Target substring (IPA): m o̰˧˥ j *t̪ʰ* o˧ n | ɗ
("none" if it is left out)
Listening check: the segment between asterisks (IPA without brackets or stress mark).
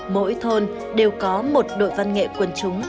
t̪ʰ